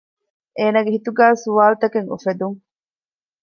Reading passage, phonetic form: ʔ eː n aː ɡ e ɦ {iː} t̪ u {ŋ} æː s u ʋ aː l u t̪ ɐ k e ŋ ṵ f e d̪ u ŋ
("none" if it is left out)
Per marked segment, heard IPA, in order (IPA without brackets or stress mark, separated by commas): i, ɡ